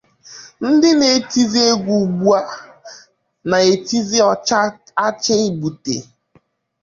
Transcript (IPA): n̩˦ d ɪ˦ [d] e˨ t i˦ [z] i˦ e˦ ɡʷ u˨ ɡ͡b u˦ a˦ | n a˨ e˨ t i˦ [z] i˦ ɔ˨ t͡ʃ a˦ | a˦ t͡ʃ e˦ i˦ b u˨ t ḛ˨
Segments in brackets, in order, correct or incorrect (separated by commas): incorrect, correct, correct